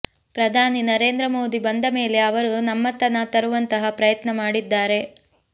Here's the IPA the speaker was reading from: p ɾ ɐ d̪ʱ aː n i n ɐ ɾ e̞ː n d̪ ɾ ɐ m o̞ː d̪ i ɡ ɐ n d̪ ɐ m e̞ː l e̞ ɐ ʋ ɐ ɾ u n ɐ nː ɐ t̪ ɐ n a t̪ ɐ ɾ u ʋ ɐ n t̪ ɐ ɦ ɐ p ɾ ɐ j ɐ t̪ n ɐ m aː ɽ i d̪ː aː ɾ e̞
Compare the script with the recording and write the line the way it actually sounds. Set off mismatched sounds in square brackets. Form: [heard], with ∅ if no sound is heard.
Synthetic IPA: p ɾ ɐ d̪ʱ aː n i n ɐ ɾ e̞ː n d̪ ɾ ɐ m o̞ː d̪ i [b] ɐ n d̪ ɐ m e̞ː l e̞ ɐ ʋ ɐ ɾ u n ɐ [mː] ɐ t̪ ɐ n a t̪ ɐ ɾ u ʋ ɐ n t̪ ɐ ɦ ɐ p ɾ ɐ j ɐ t̪ n ɐ m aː ɽ i d̪ː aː ɾ e̞